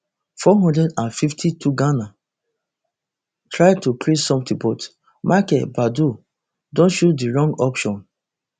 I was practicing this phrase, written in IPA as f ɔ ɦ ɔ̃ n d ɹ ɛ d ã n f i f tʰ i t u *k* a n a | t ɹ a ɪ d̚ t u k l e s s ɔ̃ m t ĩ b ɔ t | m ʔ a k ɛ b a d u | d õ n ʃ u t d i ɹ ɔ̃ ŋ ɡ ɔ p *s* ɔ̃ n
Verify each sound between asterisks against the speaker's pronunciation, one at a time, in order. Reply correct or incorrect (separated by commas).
incorrect, incorrect